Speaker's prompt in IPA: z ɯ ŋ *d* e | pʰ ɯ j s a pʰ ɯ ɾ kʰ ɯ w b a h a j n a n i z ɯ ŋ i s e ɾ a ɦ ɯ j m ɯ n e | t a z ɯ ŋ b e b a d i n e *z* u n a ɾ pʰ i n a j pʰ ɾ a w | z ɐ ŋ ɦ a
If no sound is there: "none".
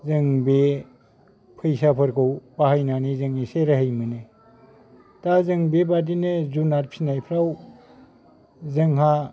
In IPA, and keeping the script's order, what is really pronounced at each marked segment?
b, z

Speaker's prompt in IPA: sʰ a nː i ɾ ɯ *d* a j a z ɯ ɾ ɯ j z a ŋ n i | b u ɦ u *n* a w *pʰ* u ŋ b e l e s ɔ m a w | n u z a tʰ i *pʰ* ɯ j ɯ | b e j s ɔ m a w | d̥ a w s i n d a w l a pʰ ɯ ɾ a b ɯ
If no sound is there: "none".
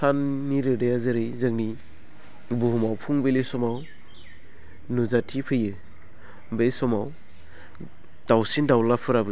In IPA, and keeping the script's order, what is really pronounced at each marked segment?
d, m, pʰ, pʰ

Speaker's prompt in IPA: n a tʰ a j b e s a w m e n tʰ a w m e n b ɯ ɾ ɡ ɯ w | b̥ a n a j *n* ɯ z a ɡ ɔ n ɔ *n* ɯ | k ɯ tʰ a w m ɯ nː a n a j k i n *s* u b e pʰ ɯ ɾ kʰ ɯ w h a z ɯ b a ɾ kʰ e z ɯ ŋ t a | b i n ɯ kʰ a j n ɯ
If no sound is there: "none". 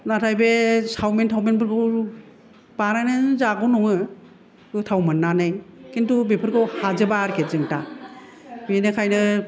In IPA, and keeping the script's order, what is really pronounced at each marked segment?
n, ŋ, t

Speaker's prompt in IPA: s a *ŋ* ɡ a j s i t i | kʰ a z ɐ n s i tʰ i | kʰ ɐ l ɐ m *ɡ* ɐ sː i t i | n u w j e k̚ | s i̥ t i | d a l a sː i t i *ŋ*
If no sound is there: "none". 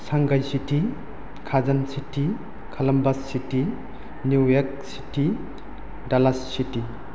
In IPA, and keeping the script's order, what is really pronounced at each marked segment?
ŋ, b, none

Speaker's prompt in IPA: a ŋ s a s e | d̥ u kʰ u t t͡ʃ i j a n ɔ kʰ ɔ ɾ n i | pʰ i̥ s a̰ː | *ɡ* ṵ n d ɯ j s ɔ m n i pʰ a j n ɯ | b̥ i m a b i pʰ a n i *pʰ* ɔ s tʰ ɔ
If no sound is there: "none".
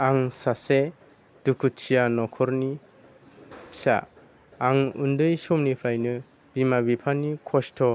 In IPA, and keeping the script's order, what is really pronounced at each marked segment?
ŋ, kʰ

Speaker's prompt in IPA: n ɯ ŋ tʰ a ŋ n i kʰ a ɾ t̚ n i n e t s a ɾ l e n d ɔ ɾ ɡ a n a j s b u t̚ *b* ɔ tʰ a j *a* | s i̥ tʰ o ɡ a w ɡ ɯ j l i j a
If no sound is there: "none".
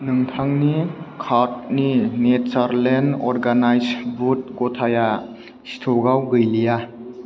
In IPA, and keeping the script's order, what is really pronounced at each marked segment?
ɡ, a

